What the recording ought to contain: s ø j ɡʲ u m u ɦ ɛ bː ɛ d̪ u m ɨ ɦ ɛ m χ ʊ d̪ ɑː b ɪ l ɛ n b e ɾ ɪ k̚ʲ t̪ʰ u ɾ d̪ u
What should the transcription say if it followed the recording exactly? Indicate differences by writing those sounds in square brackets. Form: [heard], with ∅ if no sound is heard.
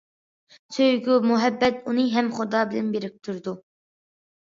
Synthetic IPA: s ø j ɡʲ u m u ɦ ɛ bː ɛ [t̪] u [n] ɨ ɦ ɛ m χ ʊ d̪ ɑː b ɪ l ɛ n b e ɾ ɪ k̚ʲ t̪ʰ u ɾ d̪ u